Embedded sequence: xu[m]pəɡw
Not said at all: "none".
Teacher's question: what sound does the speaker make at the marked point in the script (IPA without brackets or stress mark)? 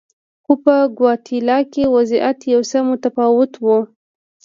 none